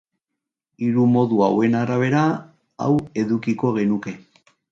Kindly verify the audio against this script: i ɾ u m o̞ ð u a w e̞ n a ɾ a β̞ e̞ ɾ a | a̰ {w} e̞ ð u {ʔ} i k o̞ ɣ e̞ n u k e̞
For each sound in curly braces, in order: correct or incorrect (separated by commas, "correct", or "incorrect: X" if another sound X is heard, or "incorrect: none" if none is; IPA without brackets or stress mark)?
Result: correct, incorrect: k